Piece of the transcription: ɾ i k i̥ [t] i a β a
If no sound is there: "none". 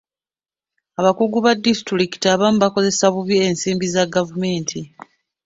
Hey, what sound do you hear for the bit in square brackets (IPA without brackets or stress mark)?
t